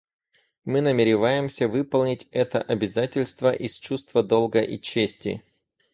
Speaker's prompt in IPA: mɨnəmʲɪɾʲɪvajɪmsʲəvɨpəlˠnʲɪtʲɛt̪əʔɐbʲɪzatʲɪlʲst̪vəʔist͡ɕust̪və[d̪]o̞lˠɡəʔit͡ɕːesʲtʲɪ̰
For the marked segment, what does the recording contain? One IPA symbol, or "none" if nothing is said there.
d̪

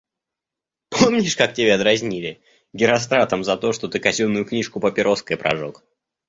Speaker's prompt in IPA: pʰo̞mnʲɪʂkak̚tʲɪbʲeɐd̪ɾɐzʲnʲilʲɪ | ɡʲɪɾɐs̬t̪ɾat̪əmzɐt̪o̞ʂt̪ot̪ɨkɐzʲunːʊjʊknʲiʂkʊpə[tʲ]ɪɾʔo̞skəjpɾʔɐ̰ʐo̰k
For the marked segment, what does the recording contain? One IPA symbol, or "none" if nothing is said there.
pʲ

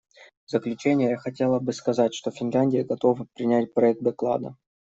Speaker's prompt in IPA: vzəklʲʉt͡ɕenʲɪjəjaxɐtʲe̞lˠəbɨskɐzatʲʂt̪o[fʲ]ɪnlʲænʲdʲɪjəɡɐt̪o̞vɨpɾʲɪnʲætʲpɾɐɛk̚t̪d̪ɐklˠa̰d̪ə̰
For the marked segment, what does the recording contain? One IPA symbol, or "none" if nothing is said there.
fʲ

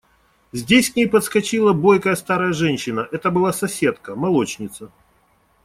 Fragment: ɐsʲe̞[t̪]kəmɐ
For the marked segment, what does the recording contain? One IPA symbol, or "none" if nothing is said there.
t̪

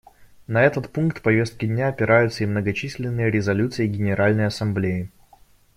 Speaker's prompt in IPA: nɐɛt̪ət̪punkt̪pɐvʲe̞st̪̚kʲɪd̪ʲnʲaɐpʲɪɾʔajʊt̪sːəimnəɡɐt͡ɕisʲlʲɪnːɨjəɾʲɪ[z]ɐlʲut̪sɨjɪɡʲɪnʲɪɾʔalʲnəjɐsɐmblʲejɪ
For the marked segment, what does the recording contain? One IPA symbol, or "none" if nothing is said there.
z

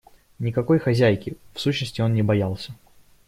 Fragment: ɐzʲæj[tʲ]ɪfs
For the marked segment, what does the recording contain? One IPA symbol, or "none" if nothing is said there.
kʲ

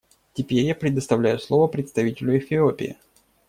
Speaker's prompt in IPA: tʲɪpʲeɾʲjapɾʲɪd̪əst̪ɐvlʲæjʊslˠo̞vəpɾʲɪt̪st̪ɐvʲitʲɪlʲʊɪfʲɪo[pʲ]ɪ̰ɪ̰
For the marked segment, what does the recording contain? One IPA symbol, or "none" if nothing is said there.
pʲ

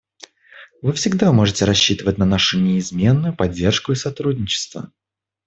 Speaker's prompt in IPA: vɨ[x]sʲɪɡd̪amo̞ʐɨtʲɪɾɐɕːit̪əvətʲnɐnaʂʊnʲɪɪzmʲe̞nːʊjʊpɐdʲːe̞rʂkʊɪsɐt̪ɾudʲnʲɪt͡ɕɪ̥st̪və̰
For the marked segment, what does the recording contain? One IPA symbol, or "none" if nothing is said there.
f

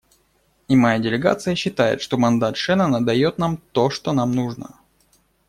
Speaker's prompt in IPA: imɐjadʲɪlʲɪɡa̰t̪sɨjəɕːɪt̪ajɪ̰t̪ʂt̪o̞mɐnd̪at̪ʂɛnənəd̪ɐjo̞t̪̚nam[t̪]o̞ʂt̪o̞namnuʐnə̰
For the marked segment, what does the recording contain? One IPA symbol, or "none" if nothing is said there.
t̪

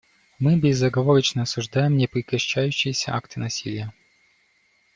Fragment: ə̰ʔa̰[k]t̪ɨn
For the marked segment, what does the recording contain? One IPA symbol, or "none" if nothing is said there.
k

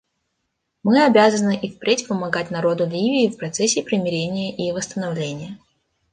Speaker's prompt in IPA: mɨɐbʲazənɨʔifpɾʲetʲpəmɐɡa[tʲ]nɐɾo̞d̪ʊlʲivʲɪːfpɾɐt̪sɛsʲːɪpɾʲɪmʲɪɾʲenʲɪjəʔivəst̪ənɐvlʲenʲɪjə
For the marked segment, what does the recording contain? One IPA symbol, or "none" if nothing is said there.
tʲ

